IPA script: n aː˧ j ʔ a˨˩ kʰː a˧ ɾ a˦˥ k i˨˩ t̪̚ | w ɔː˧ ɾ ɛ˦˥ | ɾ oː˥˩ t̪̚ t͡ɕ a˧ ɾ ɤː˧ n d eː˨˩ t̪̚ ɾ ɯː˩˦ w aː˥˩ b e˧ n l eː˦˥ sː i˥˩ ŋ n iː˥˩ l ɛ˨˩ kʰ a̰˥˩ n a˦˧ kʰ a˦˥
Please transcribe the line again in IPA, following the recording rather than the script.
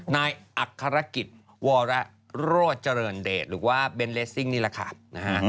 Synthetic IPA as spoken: n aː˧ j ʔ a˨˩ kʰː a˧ ɾ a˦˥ k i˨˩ t̪̚ | w ɔː˧ ɾ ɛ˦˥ | ɾ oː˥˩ t̪̚ t͡ɕ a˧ ɾ ɤː˧ n d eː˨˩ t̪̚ ɾ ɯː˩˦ w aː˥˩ b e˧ n l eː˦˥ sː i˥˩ ŋ n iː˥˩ l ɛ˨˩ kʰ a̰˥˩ n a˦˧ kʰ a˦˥